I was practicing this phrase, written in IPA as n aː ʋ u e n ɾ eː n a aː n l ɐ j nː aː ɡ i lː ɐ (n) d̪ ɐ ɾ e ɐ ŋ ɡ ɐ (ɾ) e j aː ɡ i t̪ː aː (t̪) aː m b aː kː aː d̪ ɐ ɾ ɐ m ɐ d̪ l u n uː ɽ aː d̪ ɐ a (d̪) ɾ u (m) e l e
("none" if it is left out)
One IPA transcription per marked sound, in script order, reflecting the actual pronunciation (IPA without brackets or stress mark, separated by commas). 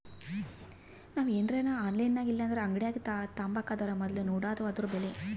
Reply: n, ɽ, t̪, d̪, b